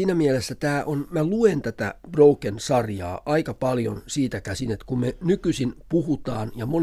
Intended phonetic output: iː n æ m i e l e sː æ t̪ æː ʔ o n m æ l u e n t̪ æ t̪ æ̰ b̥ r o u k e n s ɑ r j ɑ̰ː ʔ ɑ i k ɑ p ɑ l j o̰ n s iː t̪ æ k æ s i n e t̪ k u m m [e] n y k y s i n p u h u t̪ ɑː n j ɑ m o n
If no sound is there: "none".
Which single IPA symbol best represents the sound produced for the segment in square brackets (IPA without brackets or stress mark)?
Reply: e